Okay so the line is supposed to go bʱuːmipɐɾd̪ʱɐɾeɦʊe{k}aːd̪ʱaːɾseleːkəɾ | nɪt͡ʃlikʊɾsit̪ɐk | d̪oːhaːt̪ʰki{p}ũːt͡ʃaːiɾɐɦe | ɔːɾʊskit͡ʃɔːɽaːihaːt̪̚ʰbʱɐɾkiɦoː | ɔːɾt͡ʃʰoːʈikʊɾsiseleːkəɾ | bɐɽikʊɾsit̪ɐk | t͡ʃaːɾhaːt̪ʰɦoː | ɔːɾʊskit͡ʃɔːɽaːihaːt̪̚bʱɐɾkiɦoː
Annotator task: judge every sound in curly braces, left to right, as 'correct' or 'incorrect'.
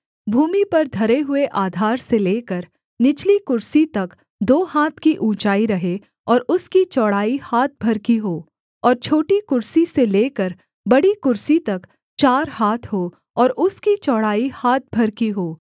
incorrect, incorrect

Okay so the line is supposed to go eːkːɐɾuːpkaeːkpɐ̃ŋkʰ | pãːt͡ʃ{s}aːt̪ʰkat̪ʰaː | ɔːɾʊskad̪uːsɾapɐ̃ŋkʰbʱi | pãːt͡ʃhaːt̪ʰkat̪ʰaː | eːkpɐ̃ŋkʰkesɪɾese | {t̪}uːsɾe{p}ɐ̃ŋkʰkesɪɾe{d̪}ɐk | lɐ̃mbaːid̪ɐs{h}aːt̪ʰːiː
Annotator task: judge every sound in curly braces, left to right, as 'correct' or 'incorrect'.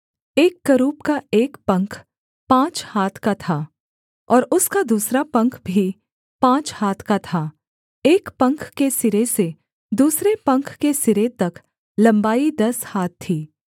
incorrect, incorrect, correct, incorrect, correct

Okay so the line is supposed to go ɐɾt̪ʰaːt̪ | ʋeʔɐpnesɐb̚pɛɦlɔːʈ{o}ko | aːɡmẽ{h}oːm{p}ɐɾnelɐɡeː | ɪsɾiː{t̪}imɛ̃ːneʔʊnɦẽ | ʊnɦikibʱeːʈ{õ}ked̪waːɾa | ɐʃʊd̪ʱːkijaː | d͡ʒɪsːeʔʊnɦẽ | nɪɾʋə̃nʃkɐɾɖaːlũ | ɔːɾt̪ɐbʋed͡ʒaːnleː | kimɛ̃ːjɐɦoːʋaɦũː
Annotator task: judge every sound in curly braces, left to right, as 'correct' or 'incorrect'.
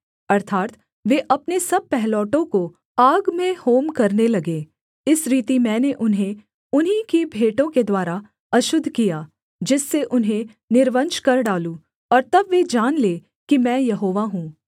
incorrect, correct, incorrect, correct, correct

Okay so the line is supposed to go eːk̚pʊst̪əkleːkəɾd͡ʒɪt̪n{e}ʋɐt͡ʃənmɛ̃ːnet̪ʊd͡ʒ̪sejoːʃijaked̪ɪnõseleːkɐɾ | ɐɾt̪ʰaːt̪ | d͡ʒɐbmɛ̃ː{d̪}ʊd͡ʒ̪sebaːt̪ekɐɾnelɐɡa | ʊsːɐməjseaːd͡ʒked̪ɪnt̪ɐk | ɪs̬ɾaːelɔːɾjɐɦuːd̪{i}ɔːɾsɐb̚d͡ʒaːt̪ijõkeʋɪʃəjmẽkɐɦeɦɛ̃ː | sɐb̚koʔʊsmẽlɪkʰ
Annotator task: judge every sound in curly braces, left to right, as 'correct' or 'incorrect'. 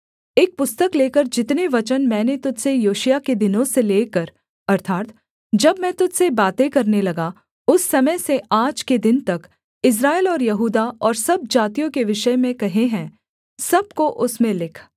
correct, incorrect, incorrect

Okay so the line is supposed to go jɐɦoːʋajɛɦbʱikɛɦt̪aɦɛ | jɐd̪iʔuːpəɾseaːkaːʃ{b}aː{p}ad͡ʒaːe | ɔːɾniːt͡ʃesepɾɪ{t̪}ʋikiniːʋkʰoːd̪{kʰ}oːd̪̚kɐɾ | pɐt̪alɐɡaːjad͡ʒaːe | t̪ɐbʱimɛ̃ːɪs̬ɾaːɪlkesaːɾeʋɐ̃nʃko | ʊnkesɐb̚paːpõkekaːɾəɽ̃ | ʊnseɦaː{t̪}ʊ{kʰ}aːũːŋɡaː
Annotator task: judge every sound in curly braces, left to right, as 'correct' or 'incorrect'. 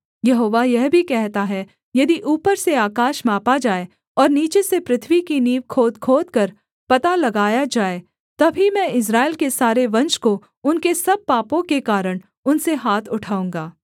incorrect, correct, incorrect, correct, incorrect, incorrect

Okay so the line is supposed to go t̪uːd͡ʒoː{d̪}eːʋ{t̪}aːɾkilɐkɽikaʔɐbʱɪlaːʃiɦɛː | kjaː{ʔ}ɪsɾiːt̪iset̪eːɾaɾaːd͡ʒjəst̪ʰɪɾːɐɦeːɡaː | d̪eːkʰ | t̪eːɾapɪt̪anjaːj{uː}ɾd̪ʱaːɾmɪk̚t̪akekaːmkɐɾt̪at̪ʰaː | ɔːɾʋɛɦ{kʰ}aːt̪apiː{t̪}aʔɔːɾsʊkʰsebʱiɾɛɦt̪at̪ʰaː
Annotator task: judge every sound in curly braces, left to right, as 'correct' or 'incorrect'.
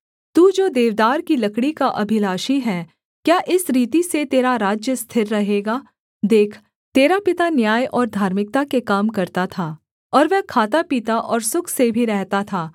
correct, incorrect, correct, incorrect, correct, correct

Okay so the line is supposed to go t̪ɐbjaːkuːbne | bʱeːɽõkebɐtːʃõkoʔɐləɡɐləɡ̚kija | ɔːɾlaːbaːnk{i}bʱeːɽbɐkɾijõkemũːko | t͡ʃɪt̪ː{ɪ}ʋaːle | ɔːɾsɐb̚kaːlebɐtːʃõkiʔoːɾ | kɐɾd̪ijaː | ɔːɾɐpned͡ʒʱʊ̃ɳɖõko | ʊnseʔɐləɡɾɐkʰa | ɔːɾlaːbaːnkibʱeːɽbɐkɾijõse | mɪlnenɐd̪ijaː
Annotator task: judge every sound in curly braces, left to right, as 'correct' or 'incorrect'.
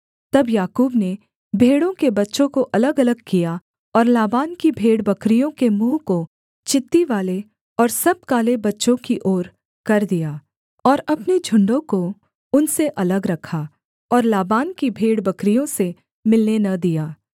correct, incorrect

